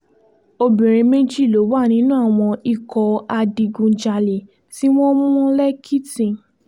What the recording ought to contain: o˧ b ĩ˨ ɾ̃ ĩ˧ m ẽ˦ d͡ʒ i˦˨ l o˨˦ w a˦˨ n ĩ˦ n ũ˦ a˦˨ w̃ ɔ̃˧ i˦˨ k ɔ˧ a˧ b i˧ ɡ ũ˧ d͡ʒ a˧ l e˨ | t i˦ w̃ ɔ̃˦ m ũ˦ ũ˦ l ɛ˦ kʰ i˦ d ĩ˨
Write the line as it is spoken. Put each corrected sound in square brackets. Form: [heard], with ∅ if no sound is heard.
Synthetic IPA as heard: o˧ b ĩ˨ ɾ̃ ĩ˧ m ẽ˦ d͡ʒ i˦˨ l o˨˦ w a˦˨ n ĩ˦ n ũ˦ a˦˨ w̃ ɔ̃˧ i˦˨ k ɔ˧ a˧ [d] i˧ ɡ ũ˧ d͡ʒ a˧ l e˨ | t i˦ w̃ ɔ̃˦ m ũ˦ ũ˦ l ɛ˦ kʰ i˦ [t] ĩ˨